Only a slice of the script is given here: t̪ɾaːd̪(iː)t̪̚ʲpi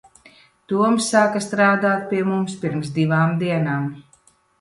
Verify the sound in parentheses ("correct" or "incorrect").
incorrect